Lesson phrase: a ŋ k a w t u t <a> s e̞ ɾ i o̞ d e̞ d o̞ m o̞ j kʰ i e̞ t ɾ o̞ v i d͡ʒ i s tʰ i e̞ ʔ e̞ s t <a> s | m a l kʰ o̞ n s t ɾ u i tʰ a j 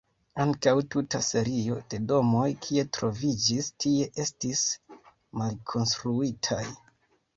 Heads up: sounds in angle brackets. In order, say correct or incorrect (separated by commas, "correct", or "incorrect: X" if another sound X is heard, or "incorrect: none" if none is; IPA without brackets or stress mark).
correct, incorrect: i